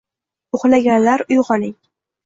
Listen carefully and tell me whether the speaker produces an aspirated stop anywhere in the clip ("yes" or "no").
no